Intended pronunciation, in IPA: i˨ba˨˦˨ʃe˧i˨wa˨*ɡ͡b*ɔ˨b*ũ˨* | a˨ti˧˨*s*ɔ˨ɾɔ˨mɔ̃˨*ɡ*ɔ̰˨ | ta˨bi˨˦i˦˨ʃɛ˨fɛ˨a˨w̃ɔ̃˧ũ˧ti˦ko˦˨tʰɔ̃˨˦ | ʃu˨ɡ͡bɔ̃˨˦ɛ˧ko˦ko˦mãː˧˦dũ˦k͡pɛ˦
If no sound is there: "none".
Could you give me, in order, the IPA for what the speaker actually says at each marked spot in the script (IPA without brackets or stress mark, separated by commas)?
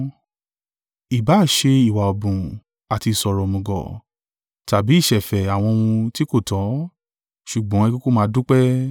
none, ũ˨, s, ɡ